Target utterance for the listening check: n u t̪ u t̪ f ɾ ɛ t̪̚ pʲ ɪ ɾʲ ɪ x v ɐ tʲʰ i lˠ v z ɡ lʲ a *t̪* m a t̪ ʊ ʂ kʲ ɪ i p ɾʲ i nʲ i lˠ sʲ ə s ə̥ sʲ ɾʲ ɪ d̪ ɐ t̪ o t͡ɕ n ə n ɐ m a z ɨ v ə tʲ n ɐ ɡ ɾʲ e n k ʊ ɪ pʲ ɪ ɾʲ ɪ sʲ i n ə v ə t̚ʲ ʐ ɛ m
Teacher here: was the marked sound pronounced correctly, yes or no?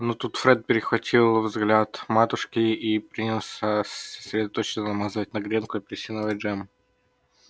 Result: yes